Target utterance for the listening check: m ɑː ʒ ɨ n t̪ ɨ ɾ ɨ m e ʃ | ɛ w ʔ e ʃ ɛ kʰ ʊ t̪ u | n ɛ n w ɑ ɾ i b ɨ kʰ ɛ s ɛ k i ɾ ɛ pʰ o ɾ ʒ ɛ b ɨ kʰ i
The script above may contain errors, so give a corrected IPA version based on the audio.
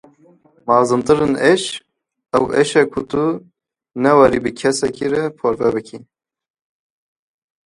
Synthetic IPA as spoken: m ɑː z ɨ n t̪ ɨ ɾ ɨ n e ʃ | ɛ w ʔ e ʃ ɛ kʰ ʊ t̪ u | n ɛ w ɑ ɾ i b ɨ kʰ ɛ s ɛ k i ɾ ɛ pʰ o ɾ v ɛ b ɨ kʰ i